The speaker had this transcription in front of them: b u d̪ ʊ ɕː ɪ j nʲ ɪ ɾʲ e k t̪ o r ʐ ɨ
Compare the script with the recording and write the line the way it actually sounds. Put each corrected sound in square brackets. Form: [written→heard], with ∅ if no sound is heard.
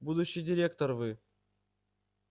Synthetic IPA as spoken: b u d̪ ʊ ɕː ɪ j [nʲ→dʲ] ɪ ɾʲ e k t̪ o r [ʐ→v] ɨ